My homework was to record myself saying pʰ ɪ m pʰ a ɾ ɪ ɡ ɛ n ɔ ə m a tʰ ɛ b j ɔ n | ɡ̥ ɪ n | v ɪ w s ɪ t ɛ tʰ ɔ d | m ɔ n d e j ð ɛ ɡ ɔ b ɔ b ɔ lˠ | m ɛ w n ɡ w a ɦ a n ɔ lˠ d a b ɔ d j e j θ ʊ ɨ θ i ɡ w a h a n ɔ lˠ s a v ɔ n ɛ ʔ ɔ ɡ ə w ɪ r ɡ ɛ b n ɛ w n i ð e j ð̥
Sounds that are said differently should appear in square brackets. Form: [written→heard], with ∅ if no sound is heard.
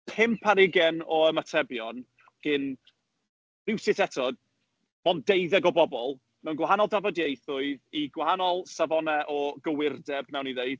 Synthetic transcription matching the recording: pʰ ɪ m pʰ a ɾ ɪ ɡ ɛ n ɔ ə m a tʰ ɛ b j ɔ n | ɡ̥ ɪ n | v ɪ w s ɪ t ɛ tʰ ɔ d | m ɔ n d e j ð ɛ ɡ ɔ b ɔ b ɔ lˠ | m ɛ w n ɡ w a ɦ a n ɔ lˠ d a [b→v] ɔ d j e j θ ʊ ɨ [θ→ð] i ɡ w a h a n ɔ lˠ s a v ɔ n ɛ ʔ ɔ ɡ ə w ɪ r [ɡ→d] ɛ b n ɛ w n i ð e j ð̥